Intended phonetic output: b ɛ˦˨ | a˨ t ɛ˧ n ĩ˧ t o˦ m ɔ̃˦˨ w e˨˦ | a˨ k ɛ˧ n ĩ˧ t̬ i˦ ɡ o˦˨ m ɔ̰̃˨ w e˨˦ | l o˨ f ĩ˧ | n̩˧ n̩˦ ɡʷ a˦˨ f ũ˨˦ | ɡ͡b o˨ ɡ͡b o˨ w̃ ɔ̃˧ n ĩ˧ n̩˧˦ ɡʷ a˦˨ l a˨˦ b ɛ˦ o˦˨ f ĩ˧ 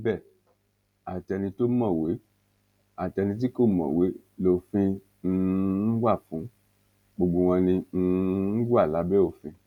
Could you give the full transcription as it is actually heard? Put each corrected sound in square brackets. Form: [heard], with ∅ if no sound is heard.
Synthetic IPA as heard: b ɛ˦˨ | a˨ t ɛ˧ n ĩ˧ t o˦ m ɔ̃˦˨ w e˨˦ | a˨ [t] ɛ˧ n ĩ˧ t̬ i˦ [k] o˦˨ m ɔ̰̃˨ w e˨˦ | l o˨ f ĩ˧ | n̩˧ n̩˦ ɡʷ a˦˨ f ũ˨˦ | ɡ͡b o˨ ɡ͡b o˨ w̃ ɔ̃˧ n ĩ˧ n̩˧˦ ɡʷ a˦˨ l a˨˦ b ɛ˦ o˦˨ f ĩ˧